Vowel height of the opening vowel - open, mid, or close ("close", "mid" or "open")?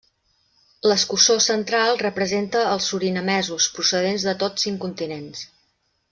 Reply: mid